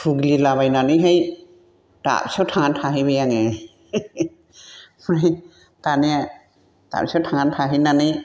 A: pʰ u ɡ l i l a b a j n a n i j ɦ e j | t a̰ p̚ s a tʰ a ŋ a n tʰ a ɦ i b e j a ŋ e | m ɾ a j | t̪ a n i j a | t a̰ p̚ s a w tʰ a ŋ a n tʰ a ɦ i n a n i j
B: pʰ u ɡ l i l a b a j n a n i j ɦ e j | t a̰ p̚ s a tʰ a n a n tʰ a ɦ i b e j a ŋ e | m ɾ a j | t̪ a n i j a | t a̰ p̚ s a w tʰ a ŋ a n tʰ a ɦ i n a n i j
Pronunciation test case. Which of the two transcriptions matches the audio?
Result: A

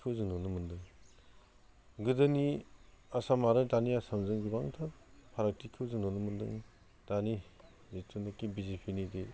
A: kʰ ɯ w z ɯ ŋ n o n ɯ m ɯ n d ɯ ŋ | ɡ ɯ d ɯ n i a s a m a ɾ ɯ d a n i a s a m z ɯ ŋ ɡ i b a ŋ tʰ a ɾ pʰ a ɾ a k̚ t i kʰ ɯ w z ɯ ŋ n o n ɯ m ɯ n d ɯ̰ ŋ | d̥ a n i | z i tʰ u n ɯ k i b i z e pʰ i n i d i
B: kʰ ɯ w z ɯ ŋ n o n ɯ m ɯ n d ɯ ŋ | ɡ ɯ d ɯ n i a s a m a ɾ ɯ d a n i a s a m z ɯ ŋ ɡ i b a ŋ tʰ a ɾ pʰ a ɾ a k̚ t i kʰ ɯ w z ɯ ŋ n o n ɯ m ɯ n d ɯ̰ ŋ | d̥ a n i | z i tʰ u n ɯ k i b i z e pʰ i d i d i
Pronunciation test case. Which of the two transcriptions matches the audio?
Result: A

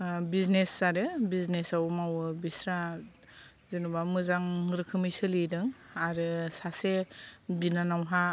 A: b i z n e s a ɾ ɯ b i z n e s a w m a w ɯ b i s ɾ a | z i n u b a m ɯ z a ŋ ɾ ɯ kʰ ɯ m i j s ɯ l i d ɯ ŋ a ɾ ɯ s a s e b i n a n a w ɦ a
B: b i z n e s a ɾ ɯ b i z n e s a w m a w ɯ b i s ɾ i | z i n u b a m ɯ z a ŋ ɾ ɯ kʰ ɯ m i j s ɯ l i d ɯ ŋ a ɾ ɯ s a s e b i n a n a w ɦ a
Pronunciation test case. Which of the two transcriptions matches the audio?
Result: A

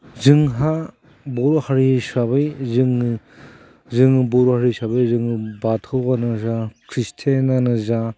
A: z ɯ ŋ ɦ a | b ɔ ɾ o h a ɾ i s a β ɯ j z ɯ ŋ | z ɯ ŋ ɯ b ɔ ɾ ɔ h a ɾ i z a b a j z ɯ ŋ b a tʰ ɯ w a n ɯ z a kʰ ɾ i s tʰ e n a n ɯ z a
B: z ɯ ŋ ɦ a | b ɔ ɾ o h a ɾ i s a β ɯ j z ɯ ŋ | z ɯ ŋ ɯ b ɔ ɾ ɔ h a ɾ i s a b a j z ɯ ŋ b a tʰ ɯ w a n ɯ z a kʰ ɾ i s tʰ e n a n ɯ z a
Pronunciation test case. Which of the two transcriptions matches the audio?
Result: B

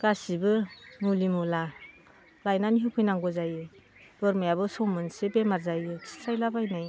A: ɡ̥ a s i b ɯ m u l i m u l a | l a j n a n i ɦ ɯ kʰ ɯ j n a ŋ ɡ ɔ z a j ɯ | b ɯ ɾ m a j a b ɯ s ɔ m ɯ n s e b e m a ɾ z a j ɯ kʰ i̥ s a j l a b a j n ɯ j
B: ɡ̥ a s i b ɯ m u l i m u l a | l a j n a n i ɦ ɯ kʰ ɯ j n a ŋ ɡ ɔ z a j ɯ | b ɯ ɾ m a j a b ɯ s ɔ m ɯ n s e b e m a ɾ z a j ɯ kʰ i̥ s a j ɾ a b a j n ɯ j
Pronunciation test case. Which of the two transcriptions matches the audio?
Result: A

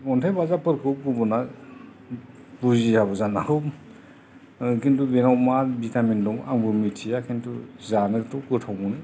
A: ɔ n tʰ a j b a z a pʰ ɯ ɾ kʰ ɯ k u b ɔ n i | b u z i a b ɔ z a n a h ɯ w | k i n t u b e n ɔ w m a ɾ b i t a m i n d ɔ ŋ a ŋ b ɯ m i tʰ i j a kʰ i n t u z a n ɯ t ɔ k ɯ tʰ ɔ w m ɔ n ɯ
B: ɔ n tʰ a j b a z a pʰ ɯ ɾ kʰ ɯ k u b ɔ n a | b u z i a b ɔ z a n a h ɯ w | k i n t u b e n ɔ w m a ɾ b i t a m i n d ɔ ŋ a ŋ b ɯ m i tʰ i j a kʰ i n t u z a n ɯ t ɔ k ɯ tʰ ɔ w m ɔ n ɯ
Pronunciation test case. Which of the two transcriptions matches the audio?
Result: B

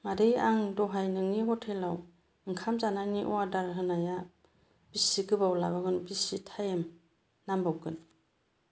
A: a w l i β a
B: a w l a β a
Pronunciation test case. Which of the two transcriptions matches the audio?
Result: B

